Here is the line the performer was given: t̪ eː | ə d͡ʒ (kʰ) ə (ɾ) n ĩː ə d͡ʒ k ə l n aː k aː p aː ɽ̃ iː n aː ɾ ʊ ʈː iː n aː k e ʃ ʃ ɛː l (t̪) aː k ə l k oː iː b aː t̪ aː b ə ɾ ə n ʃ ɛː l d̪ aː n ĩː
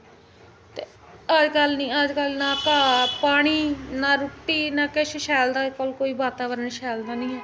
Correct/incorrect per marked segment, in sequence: incorrect: k, incorrect: l, incorrect: d̪

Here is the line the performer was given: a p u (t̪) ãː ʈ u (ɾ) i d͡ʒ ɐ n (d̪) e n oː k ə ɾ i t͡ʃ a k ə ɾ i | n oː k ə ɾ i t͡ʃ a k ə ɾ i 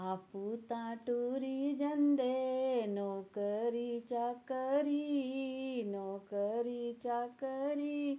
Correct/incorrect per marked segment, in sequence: correct, correct, correct

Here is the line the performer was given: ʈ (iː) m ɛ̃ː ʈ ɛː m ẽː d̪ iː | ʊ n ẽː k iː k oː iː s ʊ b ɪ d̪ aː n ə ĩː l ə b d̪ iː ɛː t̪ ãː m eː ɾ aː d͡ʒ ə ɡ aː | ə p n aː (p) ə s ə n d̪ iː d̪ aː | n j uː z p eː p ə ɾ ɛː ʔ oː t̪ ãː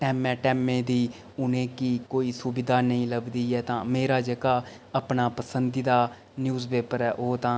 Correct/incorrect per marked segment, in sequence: incorrect: ɛː, correct

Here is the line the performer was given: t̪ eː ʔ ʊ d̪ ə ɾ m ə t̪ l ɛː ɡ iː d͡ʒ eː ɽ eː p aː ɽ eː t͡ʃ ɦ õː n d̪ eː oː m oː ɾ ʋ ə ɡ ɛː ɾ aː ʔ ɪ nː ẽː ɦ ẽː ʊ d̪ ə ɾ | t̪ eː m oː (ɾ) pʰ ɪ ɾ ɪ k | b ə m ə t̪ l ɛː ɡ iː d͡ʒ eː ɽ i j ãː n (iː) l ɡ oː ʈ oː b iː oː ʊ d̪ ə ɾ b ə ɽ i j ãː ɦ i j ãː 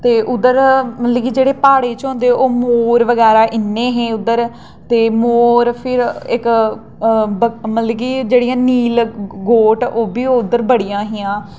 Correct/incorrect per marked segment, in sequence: correct, correct

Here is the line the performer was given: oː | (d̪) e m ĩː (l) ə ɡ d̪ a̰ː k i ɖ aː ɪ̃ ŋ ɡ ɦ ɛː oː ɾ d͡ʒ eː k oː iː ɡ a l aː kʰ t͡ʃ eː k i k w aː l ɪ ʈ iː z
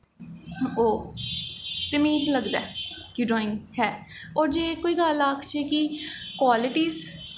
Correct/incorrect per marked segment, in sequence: incorrect: t̪, correct

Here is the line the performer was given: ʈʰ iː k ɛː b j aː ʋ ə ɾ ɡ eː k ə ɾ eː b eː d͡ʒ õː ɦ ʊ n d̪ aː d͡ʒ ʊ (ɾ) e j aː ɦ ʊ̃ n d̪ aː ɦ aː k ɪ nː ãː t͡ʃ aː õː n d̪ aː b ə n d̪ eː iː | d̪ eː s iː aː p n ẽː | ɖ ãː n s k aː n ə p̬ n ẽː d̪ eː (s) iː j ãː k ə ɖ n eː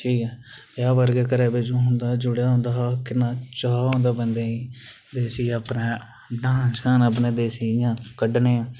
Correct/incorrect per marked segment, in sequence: incorrect: ɽ, correct

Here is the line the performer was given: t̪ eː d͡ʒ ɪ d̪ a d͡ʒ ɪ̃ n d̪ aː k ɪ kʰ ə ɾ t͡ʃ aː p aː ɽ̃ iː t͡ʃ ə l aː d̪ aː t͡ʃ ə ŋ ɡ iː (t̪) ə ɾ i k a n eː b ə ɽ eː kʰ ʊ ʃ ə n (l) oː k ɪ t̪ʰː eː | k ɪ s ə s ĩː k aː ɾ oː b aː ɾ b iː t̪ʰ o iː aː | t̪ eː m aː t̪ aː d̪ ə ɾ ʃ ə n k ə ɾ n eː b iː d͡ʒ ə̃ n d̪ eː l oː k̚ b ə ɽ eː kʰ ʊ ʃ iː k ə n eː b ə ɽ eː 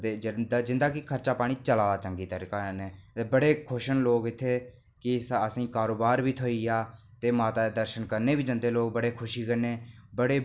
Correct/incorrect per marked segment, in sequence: correct, correct

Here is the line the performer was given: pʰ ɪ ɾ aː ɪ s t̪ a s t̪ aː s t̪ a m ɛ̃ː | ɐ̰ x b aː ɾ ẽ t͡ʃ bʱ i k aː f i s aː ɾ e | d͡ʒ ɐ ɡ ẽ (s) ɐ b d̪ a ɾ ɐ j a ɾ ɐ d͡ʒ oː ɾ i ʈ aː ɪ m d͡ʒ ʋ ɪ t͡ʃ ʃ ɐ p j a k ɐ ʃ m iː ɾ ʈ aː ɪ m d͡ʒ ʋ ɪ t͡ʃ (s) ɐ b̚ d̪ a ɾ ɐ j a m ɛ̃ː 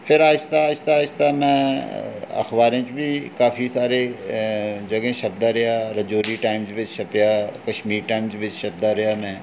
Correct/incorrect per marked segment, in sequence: incorrect: ʃ, incorrect: ʃ

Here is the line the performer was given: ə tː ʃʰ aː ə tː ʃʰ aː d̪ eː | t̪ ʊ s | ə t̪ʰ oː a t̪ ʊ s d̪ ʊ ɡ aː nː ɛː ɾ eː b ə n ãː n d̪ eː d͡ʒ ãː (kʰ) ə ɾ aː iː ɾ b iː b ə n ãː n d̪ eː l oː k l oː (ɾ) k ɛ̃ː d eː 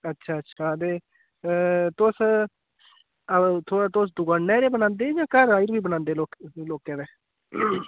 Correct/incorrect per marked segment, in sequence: incorrect: k, incorrect: none

